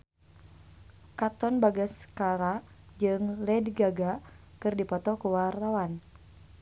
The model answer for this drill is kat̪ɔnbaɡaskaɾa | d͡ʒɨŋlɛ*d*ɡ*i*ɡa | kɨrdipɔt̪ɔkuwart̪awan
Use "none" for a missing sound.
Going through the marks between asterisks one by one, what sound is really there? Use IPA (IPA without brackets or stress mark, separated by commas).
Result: d, a